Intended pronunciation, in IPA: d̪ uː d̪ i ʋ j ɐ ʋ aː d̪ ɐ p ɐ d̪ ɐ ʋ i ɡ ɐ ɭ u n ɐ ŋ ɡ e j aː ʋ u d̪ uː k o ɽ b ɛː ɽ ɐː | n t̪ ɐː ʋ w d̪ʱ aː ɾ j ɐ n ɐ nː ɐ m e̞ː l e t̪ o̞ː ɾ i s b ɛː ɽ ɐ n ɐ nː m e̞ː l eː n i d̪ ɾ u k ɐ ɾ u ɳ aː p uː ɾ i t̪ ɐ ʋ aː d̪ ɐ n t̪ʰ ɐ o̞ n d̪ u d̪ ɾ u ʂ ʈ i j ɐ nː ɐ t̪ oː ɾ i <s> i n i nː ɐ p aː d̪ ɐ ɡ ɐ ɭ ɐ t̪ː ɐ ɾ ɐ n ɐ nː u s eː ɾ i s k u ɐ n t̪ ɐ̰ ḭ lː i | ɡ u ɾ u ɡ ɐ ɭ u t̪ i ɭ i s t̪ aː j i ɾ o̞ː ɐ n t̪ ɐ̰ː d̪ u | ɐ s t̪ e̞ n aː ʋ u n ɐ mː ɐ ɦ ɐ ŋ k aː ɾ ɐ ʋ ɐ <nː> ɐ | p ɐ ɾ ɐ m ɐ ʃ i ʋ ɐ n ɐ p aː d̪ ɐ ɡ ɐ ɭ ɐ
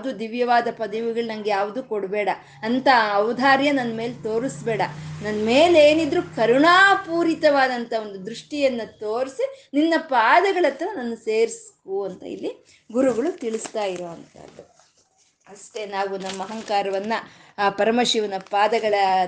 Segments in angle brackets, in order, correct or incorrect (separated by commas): correct, correct